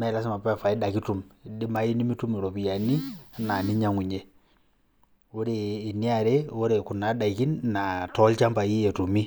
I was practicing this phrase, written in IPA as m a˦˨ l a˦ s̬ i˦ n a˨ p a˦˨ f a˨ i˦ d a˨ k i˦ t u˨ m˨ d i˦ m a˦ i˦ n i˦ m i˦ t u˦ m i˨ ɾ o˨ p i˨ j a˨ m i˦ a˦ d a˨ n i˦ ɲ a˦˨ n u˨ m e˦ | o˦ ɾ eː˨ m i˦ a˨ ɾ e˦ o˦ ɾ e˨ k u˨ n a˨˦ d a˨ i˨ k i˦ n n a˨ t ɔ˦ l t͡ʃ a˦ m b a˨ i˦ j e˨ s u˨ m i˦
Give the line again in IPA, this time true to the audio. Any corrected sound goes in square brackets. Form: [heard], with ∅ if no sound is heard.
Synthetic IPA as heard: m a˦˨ l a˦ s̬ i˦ [m] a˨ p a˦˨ f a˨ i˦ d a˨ k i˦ t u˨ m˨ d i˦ m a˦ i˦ n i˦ m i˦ t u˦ m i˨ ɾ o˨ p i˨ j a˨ [n] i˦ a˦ [n] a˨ n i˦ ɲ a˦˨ [ŋ] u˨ [ɲ] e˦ | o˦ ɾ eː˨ [n] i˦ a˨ ɾ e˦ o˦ ɾ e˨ k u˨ n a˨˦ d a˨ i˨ k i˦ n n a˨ t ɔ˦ l t͡ʃ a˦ m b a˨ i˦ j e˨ [t] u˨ m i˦